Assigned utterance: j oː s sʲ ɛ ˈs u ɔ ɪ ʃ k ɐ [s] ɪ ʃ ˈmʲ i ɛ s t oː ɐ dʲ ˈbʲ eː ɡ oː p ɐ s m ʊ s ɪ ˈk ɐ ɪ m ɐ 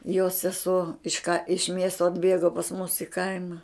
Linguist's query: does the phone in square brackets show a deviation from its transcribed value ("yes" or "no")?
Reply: yes